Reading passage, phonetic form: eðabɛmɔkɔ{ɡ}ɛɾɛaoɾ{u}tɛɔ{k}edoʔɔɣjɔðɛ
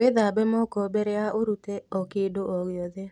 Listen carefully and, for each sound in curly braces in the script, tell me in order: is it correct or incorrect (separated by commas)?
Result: incorrect, correct, correct